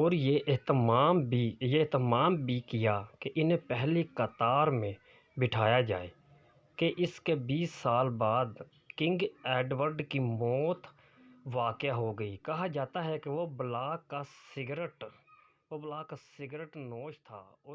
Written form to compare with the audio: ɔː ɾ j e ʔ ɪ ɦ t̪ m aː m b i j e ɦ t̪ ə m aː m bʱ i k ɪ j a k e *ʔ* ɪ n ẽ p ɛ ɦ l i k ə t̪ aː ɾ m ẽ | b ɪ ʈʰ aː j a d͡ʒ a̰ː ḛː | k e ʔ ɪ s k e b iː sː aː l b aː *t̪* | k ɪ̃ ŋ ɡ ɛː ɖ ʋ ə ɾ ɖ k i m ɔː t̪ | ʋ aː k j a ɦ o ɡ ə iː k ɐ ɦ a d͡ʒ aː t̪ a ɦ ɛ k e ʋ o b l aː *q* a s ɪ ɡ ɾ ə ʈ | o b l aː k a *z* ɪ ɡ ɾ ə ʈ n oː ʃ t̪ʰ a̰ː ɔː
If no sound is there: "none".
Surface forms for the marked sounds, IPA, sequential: ʔ, d̪, k, s

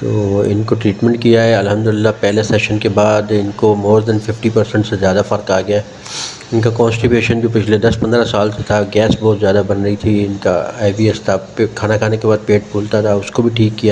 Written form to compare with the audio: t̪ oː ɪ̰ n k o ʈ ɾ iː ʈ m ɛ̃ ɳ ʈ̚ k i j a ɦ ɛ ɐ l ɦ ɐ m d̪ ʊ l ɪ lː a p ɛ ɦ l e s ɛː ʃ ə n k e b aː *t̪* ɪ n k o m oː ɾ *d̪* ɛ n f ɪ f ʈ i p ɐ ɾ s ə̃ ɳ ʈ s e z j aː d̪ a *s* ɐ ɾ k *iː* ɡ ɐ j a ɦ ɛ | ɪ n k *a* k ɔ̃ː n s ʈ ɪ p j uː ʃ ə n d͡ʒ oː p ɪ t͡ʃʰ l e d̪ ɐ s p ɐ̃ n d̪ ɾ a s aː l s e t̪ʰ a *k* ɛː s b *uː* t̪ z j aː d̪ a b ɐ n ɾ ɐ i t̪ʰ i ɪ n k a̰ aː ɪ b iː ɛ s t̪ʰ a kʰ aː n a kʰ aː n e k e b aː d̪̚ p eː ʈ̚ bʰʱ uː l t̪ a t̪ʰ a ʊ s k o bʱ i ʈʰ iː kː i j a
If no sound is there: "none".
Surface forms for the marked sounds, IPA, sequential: d̪, d̪, f, aː, a, ɡ, ɔː

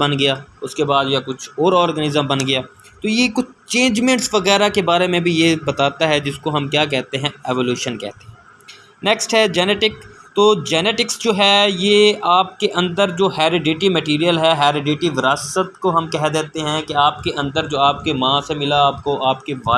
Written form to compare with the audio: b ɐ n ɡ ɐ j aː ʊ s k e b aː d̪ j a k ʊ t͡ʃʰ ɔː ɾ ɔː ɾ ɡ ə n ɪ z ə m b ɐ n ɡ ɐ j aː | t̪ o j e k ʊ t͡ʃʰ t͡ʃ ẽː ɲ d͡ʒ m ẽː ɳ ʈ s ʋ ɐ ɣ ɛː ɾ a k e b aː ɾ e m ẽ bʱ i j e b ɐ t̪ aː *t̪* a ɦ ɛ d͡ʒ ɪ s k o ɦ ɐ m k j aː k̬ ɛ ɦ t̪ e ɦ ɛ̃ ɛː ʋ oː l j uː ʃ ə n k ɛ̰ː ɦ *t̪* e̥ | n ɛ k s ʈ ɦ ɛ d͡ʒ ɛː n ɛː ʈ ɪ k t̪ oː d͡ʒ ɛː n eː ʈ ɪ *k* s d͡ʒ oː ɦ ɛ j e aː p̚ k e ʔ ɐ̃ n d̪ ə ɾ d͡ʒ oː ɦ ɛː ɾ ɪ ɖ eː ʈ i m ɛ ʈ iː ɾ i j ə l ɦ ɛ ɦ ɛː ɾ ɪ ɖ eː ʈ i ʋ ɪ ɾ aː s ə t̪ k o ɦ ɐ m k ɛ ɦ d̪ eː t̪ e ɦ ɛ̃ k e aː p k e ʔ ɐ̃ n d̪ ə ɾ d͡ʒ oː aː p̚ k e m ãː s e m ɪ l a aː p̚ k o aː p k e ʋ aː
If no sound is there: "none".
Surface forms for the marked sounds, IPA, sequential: t̪, t̪, k

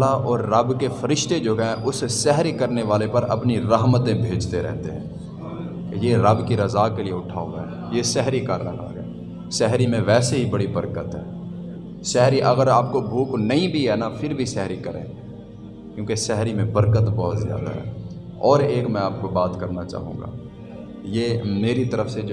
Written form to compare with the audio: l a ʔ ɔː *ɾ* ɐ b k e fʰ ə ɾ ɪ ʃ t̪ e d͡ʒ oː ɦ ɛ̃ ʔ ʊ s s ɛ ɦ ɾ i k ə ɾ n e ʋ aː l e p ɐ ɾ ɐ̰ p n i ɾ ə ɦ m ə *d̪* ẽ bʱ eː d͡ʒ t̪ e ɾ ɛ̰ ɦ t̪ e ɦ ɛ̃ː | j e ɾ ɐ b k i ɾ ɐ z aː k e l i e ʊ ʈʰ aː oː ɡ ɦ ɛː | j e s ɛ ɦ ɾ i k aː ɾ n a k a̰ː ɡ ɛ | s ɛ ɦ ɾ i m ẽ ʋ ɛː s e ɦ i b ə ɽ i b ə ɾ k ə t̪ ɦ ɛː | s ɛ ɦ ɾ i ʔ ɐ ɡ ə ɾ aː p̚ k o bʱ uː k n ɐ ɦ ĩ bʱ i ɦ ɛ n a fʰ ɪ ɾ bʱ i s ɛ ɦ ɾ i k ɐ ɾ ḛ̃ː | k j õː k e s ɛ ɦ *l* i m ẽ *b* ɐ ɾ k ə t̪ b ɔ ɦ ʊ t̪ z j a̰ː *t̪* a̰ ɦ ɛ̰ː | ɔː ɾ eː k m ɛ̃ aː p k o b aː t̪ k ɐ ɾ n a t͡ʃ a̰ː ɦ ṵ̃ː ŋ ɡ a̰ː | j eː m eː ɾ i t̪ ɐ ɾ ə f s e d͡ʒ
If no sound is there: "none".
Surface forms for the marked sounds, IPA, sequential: ɾː, t̪, ɾ, b, d̪

